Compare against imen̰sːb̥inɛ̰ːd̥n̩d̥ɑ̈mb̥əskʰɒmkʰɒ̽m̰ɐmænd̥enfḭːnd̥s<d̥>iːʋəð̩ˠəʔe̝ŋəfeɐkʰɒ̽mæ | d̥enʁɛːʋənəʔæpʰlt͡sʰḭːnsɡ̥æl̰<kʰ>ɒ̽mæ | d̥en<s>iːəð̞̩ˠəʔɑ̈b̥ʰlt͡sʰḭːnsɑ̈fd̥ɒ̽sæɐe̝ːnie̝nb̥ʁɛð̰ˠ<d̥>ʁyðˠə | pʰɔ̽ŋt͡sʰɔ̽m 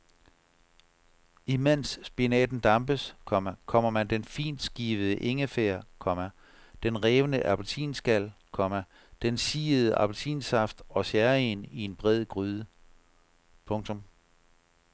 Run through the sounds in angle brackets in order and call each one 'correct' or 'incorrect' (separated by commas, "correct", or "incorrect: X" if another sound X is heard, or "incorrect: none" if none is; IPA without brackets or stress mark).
incorrect: ɡ̥, correct, correct, incorrect: ɡ̥